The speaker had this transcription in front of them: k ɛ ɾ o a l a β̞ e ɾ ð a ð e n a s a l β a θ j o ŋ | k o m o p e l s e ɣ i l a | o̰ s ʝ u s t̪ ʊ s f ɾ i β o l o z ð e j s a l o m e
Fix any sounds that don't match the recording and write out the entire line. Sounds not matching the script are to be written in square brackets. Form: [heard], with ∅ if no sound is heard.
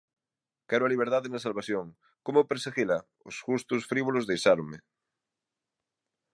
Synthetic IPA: k ɛ ɾ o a l [i] β̞ e ɾ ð a ð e n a s a l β a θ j o ŋ | k o m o p e [ɾ] s e ɣ i l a | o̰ s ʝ u s t̪ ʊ s f ɾ i β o l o z ð e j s a [ɾ] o m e

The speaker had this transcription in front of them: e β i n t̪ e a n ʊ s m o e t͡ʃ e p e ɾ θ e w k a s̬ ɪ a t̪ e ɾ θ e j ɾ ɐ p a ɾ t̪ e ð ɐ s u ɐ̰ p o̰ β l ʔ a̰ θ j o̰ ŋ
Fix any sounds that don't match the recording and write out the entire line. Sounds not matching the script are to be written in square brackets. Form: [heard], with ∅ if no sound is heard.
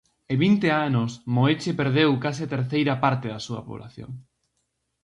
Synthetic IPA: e β i n t̪ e a n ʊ s m o e t͡ʃ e p e ɾ [ð] e w k a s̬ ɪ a t̪ e ɾ θ e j ɾ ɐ p a ɾ t̪ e ð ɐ s u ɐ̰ p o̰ β l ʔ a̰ θ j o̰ ŋ

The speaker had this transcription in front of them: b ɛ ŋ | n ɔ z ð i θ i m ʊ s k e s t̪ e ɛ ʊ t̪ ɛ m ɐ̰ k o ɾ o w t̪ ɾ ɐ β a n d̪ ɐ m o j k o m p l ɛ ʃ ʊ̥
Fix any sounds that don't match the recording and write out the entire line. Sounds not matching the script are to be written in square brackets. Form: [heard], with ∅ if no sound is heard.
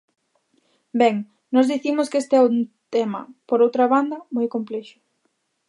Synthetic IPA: b ɛ ŋ | n ɔ z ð i θ i m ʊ s k e s t̪ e ɛ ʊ t̪ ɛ m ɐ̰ [p] o ɾ o w t̪ ɾ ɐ β a n d̪ ɐ m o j k o m p l ɛ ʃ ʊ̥

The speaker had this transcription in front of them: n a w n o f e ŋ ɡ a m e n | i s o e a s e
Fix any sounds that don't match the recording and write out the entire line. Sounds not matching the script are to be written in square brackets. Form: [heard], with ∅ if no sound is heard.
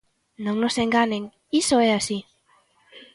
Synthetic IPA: n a w n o [s] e ŋ ɡ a [n] e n | i s o e a s [i]

